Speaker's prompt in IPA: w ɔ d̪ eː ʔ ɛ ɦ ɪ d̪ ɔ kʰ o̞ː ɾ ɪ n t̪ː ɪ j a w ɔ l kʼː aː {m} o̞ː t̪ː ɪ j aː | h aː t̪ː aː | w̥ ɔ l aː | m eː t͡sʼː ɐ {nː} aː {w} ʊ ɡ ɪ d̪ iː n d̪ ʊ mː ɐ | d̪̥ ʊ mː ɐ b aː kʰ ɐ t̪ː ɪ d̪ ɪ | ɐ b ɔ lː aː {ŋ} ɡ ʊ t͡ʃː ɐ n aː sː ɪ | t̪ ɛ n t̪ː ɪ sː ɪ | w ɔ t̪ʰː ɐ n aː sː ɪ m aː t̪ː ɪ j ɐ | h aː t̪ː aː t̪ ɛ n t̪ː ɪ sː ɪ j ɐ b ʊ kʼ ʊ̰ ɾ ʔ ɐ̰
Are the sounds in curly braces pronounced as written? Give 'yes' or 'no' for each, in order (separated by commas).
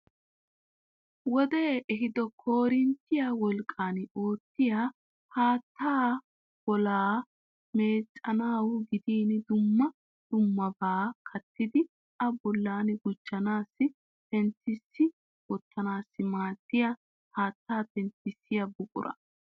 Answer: no, no, yes, no